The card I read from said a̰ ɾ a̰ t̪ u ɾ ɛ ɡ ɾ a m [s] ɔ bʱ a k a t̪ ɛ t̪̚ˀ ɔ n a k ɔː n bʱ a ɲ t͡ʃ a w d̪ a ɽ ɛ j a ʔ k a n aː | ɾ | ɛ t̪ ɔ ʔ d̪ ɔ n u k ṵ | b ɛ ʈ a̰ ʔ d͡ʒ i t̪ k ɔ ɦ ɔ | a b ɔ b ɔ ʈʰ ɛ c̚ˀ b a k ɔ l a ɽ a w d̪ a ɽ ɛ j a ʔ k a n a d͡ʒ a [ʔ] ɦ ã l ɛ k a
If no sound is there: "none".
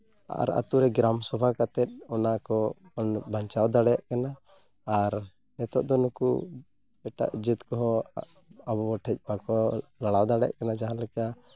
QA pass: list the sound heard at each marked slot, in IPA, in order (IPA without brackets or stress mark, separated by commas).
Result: s, none